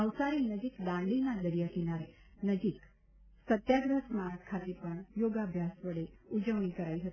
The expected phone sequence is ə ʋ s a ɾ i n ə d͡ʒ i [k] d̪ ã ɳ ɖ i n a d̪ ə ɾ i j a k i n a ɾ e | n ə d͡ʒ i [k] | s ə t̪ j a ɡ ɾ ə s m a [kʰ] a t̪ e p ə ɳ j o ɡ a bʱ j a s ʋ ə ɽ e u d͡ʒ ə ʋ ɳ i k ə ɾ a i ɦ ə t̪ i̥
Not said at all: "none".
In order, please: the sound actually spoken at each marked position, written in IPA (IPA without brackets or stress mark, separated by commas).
k, k, kʰ